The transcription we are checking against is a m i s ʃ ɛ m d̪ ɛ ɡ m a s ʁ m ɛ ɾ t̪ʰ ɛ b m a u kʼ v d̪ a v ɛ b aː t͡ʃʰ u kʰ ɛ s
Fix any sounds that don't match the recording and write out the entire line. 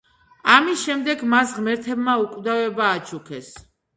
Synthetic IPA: a m i s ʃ ɛ m d̪ ɛ ɡ m a s ʁ m ɛ ɾ t̪ʰ ɛ b m a u kʼ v d̪ a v ɛ b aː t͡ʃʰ u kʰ ɛ s